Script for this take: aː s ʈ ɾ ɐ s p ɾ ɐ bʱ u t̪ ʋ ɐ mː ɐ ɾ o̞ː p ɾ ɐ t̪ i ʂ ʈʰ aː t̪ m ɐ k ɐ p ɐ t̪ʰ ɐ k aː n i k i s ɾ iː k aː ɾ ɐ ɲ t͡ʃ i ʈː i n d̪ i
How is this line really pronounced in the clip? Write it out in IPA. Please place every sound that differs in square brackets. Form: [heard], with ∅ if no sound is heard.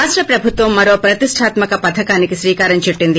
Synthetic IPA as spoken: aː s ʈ ɾ ɐ [∅] p ɾ ɐ bʱ u t̪ ʋ ɐ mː ɐ ɾ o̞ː p ɾ ɐ t̪ i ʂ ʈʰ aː t̪ m ɐ k ɐ p ɐ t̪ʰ ɐ k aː n i k i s ɾ iː k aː ɾ ɐ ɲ t͡ʃ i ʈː i n d̪ i